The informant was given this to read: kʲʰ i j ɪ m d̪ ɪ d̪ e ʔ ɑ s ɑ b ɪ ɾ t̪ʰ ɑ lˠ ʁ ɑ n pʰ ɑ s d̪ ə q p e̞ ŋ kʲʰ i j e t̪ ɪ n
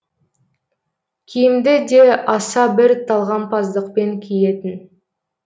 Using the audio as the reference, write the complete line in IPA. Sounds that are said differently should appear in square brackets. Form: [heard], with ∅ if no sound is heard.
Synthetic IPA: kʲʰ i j ɪ m d̪ ɪ d̪ e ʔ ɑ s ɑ b ɪ ɾ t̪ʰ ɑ lˠ ʁ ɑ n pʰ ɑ [z] d̪ ə q p e̞ ŋ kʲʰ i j e t̪ ɪ n